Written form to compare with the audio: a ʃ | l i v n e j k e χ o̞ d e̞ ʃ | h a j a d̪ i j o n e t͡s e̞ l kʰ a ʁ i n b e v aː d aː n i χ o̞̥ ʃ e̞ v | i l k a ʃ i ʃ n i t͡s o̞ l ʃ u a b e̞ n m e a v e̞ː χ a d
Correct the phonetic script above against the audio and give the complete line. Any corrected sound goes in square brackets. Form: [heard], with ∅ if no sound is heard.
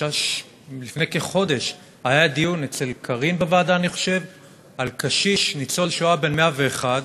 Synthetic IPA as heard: a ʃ | l i [f] n e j k e χ o̞ d e̞ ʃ | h a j a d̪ i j [u] n e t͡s e̞ l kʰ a ʁ i n b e v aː d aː n i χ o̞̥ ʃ e̞ v | [a] l k a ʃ i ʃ n i t͡s o̞ l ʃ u a b e̞ n m e a v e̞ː χ a d